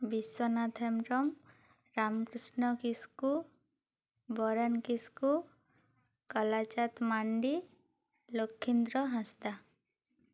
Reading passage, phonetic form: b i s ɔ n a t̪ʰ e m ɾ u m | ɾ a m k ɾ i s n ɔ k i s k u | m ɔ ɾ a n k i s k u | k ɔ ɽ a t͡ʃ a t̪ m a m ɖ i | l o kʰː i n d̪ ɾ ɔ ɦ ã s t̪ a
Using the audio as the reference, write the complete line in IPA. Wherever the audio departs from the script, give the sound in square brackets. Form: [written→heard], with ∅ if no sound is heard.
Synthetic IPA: b i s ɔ n a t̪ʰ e m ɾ [u→ɔ] m | ɾ a m k ɾ i s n ɔ k i s k u | [m→b] ɔ ɾ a n k i s k u | k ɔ [ɽ→l] a t͡ʃ a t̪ m a [m→ɳ] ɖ i | l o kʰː i n d̪ ɾ ɔ ɦ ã s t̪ a